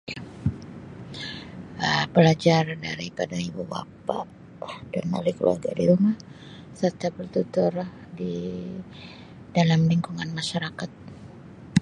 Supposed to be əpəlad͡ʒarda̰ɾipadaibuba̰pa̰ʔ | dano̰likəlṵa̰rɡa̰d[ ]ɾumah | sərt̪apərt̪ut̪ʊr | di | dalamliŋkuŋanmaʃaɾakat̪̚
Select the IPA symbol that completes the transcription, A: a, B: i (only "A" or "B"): B